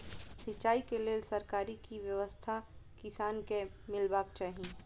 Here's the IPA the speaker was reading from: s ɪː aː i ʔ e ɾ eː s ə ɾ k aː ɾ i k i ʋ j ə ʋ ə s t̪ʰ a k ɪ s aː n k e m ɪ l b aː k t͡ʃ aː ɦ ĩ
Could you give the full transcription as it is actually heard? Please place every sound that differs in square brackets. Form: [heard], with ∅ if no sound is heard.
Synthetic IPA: s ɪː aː i [k] e [l] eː s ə ɾ k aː ɾ i k i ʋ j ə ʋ ə s t̪ʰ a k ɪ s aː n k e m ɪ l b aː k t͡ʃ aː ɦ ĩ